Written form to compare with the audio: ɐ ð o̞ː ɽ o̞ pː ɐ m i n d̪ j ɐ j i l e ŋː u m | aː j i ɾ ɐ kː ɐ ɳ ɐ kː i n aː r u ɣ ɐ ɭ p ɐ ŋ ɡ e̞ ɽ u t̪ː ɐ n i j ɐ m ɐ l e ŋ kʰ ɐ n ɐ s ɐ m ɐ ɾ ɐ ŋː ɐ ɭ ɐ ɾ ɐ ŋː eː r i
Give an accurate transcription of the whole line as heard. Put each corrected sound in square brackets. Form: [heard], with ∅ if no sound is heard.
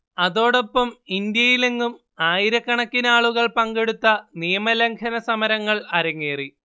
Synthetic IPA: ɐ ð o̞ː ɽ o̞ pː ɐ m i n d̪ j ɐ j i l e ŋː u m | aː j i ɾ ɐ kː ɐ ɳ ɐ kː i n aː [ɭ] u ɣ ɐ ɭ p ɐ ŋ ɡ e̞ ɽ u t̪ː ɐ n i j ɐ m ɐ l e ŋ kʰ ɐ n ɐ s ɐ m ɐ ɾ ɐ ŋː ɐ ɭ ɐ ɾ ɐ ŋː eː r i